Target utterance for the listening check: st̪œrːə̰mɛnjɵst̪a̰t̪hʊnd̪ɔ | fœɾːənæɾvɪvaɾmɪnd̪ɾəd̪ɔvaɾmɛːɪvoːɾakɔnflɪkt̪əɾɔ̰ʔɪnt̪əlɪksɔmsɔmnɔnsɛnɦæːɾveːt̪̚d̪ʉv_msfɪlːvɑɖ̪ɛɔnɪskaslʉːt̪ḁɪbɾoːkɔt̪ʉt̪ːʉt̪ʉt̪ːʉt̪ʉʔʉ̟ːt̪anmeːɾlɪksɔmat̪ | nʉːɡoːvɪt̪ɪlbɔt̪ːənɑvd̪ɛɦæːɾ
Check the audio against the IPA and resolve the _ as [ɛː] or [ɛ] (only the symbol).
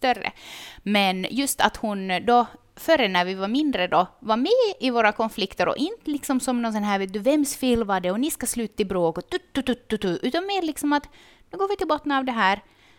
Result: ɛ